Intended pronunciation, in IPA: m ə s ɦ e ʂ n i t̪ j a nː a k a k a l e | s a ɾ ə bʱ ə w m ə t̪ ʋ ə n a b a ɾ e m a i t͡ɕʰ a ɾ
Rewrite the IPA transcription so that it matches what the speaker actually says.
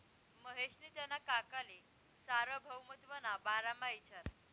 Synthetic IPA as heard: m ə ɦ e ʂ n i t̪ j a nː a k a k a l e | s a ɾ ə bʱ ə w m ə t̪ ʋ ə n a b a ɾ a m a i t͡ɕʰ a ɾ